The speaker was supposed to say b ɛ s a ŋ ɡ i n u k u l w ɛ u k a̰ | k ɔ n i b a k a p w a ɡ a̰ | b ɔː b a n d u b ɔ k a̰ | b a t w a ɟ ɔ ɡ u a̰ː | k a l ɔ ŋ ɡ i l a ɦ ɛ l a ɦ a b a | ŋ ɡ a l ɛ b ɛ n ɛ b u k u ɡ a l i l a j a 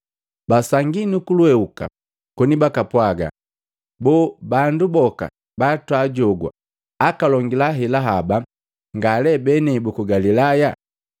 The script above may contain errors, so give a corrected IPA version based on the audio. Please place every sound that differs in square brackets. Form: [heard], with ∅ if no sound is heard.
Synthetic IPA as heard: b [a] s a ŋ ɡ i n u k u l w ɛ u k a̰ | k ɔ n i b a k a p w a ɡ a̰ | b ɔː b a n d u b ɔ k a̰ | b a t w a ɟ ɔ ɡ [w] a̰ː | k a l ɔ ŋ ɡ i l a ɦ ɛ l a ɦ a b a | ŋ ɡ a l ɛ b ɛ n ɛ b u k u ɡ a l i l a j a